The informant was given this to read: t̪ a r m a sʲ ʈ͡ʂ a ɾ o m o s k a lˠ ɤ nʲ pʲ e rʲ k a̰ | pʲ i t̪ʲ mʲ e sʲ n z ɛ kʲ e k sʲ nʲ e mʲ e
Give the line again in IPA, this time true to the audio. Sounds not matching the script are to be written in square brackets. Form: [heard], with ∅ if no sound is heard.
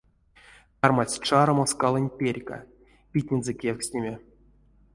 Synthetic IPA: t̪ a r m a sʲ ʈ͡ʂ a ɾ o m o s k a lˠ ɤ nʲ pʲ e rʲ k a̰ | pʲ i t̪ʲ [nʲ] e [∅] n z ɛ kʲ e k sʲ nʲ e mʲ e